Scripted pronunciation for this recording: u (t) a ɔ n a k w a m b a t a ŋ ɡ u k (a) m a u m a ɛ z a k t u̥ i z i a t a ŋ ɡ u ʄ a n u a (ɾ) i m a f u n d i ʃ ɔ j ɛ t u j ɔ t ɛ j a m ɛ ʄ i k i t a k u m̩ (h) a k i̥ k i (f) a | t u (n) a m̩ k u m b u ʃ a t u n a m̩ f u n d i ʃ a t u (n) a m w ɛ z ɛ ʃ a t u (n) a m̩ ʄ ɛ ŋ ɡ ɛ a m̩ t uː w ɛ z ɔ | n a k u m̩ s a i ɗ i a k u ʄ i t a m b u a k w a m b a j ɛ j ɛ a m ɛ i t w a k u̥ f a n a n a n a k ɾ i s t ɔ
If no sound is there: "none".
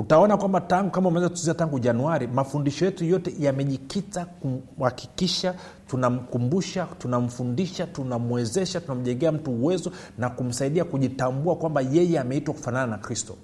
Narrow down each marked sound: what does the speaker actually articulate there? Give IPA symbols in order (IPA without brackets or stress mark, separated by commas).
t, a, ɾ, h, ʃ, n, n, n